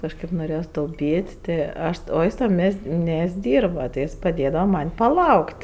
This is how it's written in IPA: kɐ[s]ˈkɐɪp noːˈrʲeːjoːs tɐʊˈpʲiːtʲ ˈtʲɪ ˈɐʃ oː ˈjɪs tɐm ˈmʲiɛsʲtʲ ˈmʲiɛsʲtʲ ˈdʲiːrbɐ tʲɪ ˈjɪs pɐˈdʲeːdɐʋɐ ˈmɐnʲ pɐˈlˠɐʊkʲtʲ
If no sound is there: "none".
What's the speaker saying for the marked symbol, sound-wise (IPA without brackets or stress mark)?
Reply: ʃ